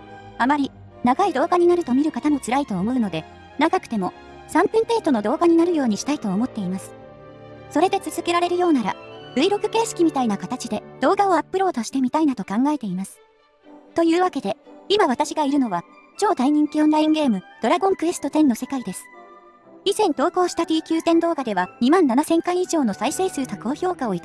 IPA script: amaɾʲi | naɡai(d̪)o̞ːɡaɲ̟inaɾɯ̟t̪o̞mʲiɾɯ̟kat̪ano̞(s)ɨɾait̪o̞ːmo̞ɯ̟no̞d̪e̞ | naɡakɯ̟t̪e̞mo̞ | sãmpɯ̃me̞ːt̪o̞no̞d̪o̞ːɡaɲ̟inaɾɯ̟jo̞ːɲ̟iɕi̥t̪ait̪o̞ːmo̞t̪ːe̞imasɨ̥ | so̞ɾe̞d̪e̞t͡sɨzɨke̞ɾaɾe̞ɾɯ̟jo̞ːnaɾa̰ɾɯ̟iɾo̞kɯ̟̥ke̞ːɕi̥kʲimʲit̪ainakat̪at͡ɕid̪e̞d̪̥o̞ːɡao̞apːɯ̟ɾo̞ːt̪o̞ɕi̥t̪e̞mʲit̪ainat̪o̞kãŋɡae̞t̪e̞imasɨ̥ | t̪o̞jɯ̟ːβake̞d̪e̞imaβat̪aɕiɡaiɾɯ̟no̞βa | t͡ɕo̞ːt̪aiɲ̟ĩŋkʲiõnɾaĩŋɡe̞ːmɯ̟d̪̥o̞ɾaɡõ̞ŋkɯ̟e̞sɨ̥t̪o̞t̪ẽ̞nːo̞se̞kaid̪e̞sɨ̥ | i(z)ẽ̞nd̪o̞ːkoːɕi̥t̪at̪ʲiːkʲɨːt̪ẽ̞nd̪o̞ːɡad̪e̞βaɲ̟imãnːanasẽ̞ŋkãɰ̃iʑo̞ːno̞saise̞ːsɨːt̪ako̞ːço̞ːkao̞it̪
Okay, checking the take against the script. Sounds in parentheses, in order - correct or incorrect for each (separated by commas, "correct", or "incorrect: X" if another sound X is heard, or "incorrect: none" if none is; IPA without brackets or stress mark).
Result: correct, incorrect: t͡s, correct